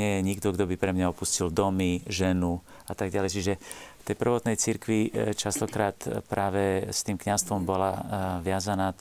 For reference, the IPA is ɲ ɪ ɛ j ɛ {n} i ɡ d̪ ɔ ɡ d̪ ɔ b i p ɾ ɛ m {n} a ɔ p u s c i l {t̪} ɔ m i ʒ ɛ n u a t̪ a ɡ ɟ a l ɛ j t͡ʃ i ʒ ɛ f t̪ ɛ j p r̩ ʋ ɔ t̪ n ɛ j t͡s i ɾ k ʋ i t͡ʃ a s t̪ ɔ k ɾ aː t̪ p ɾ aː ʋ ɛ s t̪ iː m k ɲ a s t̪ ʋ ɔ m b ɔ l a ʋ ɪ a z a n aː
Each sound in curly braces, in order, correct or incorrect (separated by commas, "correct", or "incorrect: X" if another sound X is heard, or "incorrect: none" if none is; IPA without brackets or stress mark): incorrect: ɲ, incorrect: ɲ, incorrect: d̪